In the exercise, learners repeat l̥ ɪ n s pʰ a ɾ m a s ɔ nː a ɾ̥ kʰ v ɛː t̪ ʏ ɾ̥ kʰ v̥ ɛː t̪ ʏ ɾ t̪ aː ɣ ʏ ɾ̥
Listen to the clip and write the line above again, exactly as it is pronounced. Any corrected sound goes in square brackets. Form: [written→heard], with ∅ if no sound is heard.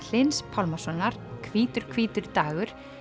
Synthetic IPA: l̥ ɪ n s pʰ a [ɾ→l] m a s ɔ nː a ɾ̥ kʰ v [ɛː→iː] t̪ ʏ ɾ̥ kʰ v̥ [ɛː→iː] t̪ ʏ ɾ t̪ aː ɣ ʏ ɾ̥